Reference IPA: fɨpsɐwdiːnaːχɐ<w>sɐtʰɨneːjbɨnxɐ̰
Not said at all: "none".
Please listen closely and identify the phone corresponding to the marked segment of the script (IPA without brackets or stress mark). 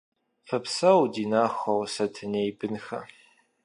w